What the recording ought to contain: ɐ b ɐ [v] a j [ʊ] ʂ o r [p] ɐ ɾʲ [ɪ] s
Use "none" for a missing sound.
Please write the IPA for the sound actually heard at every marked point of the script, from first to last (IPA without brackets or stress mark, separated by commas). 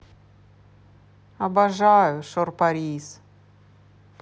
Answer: ʐ, ʊ, p, i